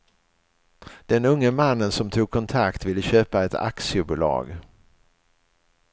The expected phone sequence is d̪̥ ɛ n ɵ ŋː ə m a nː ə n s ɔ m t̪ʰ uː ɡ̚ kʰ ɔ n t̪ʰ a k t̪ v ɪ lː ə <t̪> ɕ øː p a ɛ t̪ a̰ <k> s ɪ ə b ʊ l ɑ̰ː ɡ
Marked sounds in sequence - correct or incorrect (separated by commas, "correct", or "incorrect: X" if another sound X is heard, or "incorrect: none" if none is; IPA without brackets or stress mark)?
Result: incorrect: none, correct